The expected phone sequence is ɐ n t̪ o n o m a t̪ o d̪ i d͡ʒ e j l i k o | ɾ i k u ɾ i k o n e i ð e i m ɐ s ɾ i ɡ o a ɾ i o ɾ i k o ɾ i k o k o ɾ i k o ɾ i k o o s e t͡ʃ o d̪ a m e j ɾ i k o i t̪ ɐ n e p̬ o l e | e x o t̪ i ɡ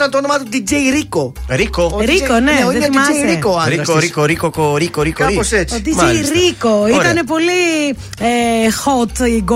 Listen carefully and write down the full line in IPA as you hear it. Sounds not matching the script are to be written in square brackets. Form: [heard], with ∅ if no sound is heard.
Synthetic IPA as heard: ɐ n t̪ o n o m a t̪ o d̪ i d͡ʒ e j [ɾ] i k o | ɾ i k [o] ɾ i k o n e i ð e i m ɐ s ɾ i [k] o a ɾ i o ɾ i k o ɾ i k o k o ɾ i k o ɾ i k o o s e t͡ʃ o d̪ [i] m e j ɾ i k o i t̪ ɐ n e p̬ o l [i] | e x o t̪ i ɡ